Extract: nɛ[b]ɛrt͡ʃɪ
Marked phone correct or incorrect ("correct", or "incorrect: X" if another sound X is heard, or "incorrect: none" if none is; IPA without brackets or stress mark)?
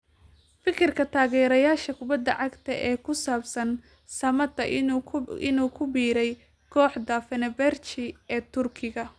correct